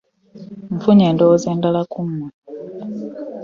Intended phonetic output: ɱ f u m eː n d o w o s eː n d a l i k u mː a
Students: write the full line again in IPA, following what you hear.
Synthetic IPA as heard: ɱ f u ɲ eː n d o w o z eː n d a l a k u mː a